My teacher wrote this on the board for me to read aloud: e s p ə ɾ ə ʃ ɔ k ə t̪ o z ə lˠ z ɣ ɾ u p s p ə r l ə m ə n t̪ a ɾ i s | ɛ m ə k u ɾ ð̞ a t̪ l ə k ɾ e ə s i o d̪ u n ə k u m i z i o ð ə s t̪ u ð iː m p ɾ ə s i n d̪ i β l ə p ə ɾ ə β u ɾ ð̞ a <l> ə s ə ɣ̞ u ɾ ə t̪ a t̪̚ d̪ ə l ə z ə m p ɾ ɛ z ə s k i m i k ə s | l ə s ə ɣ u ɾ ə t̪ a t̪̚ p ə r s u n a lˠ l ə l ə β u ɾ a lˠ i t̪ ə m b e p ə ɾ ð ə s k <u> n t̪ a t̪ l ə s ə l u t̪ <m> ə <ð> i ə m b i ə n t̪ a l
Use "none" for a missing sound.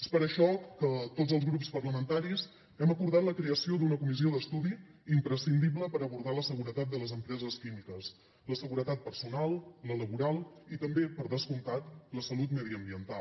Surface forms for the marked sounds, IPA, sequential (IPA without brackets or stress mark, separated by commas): l, u, m, ð